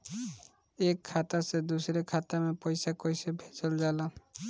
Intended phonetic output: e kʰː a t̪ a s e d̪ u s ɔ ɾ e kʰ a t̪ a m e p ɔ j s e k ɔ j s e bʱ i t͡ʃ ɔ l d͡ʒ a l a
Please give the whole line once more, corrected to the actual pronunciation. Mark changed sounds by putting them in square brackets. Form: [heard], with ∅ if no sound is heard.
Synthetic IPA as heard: e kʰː a t̪ a s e d̪ u s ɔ ɾ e kʰ a t̪ a m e p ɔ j s [a] k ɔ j s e bʱ [e] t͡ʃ ɔ l d͡ʒ a l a